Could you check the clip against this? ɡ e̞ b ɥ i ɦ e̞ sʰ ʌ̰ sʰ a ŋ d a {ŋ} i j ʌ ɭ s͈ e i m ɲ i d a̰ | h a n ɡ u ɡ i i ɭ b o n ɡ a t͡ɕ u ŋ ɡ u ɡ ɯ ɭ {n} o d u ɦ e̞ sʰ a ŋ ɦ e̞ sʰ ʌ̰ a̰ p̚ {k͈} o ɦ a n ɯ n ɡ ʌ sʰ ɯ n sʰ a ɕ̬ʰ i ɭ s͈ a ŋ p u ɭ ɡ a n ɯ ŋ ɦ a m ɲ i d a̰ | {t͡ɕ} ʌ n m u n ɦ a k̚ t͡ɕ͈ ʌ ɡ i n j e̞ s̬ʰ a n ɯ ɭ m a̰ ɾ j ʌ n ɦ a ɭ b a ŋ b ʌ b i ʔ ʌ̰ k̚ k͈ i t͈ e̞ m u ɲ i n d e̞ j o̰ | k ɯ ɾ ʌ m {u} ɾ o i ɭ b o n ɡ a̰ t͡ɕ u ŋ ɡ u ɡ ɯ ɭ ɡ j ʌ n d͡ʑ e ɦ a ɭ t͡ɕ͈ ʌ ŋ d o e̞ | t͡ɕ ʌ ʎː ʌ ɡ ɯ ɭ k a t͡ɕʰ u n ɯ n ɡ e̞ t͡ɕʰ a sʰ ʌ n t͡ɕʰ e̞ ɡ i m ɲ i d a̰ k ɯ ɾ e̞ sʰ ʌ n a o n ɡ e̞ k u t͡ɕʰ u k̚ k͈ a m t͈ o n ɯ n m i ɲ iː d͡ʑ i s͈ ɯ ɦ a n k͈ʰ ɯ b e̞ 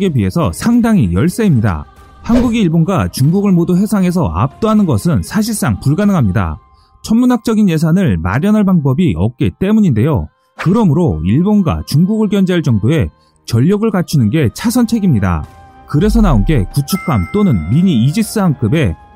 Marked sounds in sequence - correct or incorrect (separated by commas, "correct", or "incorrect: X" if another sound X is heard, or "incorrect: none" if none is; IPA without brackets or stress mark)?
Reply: correct, incorrect: m, incorrect: t͈, incorrect: t͡ɕʰ, incorrect: ɯ